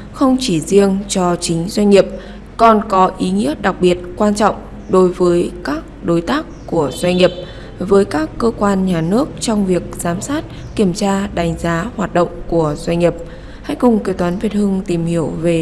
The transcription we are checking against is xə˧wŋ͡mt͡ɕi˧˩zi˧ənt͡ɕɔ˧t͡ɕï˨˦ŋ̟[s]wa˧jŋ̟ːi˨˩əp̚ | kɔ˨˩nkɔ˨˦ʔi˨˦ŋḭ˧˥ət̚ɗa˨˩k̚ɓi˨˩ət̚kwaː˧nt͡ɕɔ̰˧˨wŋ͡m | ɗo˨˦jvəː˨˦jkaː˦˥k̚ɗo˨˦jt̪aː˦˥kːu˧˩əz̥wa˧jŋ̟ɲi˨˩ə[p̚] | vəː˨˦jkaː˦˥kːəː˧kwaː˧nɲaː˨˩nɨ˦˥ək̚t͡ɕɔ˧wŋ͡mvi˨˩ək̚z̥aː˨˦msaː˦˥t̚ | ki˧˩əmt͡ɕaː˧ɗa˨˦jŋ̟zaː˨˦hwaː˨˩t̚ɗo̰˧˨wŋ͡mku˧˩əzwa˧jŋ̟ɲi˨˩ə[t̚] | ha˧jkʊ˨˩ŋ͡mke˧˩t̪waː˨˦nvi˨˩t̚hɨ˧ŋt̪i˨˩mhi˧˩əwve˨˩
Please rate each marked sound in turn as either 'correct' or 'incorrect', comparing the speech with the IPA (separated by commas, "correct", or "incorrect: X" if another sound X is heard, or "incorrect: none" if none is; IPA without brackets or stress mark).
incorrect: z, correct, incorrect: p̚